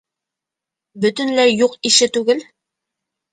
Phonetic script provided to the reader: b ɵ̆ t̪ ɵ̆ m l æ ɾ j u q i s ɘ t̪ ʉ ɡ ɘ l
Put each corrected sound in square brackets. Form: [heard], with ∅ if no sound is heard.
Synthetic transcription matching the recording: b ɵ̆ t̪ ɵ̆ [n] l æ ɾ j u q i [ʃ] ɘ t̪ ʉ ɡ ɘ l